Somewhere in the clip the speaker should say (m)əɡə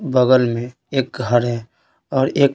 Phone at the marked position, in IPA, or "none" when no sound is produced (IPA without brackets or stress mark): b